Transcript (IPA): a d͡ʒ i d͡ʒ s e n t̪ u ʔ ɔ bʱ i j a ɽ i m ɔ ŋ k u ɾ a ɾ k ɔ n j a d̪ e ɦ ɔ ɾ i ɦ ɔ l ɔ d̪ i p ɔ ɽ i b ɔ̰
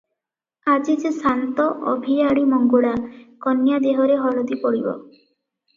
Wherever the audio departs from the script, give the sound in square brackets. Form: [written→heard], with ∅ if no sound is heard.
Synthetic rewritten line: a d͡ʒ i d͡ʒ s [e→a] n t̪ [u→ɔ] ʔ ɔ bʱ i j a ɽ i m ɔ ŋ [k→ɡ] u [ɾ→ɽ] a [ɾ→∅] k ɔ n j a d̪ e ɦ ɔ ɾ [i→e] ɦ ɔ l ɔ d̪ i p ɔ ɽ i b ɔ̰